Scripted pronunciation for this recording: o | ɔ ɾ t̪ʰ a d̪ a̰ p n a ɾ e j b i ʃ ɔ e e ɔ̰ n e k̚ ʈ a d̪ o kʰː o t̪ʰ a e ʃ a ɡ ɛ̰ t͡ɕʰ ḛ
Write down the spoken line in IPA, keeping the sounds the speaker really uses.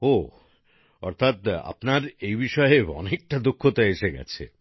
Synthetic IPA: o | ɔ ɾ t̪ʰ a t̪ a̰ p n a ɾ e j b i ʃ ɔ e e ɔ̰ n e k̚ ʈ a d̪ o kʰː o t̪ a e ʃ e ɡ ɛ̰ t͡ɕʰ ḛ